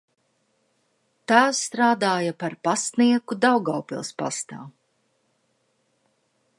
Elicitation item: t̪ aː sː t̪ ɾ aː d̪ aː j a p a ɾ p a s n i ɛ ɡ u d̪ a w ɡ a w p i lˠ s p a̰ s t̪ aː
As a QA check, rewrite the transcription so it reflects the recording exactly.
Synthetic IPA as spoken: t̪ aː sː t̪ ɾ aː d̪ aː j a p a ɾ p a s n i ɛ k u d̪ a w ɡ a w p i lˠ s p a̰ s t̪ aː